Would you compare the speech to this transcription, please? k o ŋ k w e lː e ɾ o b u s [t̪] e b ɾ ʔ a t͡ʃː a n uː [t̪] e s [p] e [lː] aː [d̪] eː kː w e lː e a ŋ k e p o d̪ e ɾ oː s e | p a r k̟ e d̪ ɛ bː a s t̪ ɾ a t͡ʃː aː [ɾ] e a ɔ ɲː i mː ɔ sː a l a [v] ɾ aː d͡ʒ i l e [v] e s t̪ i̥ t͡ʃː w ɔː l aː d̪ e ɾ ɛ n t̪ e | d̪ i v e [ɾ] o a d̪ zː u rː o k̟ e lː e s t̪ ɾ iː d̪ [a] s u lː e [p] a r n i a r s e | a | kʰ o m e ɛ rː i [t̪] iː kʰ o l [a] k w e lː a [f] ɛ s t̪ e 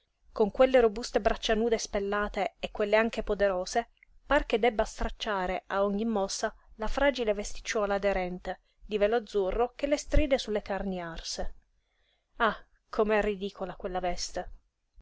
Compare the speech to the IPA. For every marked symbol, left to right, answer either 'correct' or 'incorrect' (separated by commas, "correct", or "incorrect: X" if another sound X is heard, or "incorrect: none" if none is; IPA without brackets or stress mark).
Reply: correct, incorrect: d̪, correct, correct, incorrect: t̪, correct, incorrect: f, correct, incorrect: l, incorrect: e, incorrect: k, incorrect: d̪, correct, incorrect: v